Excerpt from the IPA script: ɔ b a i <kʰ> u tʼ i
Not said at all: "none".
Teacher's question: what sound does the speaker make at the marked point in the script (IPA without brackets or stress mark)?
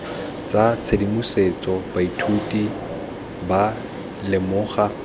tʰ